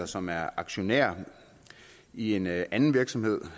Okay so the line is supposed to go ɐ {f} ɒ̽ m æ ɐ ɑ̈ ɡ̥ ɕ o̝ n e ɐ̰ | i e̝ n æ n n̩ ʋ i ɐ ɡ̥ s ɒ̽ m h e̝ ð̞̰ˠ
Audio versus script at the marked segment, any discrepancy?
yes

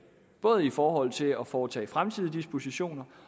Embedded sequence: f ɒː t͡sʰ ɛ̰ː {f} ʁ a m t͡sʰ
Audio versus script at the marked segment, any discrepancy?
no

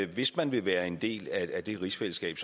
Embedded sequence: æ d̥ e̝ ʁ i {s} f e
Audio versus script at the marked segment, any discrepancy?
no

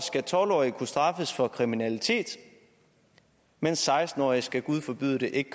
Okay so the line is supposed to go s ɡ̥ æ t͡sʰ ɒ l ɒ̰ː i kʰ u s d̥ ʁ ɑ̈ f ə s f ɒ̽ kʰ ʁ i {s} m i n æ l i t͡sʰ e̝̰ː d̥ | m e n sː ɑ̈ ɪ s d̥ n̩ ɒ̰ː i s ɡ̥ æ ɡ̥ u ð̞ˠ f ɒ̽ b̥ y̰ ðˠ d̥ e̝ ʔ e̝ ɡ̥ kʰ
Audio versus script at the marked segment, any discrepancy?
yes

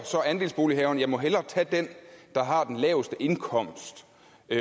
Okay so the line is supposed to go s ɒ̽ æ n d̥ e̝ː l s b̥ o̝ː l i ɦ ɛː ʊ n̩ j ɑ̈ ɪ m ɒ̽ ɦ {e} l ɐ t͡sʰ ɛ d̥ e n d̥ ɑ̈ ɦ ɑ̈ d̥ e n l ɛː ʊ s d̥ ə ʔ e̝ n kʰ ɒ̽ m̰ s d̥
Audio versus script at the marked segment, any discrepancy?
no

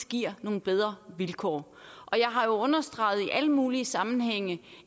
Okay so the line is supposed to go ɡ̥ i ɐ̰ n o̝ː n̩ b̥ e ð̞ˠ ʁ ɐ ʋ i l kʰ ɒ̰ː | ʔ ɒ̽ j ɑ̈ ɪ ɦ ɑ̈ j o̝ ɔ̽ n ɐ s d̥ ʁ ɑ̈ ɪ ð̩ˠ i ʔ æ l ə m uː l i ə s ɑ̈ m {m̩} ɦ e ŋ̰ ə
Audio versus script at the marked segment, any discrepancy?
yes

